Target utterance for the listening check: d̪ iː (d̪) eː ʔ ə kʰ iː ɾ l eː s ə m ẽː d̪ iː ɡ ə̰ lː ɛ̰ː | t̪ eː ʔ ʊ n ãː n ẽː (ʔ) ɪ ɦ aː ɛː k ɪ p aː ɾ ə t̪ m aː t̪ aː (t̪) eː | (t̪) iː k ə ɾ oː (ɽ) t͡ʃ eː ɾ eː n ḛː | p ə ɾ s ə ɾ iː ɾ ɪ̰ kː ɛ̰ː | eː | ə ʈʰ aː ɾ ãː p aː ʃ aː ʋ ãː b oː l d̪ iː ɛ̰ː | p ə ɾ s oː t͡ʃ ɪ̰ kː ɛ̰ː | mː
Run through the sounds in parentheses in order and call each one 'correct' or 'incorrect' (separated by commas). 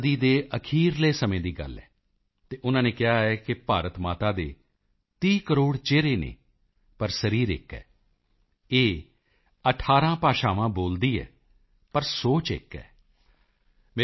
correct, incorrect, incorrect, correct, correct